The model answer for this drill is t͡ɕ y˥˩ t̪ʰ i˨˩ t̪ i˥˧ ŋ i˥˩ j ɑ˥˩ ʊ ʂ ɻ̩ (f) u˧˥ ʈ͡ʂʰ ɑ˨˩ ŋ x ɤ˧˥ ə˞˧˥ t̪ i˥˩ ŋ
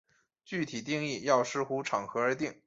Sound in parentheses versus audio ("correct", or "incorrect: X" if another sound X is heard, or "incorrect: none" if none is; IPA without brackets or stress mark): incorrect: x